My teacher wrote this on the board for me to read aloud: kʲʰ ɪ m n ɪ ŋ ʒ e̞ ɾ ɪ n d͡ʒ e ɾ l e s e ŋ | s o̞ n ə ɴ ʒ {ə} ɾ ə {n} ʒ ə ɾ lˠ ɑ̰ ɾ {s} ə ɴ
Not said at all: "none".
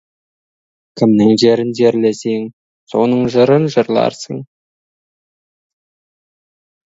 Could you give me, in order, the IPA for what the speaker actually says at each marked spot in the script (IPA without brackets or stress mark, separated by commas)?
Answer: ə, n, s